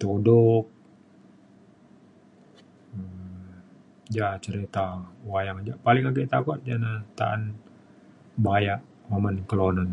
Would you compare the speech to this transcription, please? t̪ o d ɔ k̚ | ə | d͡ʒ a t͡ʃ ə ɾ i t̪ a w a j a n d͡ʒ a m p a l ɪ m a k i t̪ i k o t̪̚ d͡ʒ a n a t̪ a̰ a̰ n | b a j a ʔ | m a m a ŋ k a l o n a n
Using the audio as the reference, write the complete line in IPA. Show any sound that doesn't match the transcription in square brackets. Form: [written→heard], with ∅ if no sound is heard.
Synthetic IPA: t̪ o d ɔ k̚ | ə | d͡ʒ a t͡ʃ ə ɾ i t̪ a w a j a [n→ŋ] d͡ʒ a [m→∅] p a l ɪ [m→ŋ] a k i t̪ [i→a] k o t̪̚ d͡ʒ a n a t̪ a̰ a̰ n | b a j a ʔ | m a m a [ŋ→n] k [a→ə] l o n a n